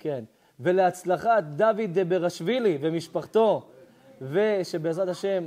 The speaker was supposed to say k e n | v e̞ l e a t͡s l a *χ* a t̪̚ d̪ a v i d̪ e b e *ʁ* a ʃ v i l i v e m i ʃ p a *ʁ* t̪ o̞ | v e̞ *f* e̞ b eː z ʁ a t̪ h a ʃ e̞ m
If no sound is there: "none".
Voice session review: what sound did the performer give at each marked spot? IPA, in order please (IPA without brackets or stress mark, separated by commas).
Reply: χ, ʁ, χ, ʃ